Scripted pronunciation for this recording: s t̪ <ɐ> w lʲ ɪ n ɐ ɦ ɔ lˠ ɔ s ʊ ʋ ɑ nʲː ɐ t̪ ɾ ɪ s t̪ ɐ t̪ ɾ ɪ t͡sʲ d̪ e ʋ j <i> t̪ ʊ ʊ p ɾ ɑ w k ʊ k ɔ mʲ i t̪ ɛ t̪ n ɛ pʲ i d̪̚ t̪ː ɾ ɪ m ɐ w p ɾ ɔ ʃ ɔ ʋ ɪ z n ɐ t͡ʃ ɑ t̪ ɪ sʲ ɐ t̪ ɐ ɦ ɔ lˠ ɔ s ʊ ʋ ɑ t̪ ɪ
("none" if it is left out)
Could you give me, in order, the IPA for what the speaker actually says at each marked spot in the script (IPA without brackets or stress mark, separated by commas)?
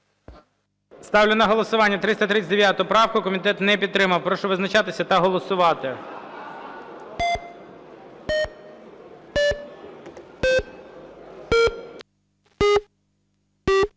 ɑ, a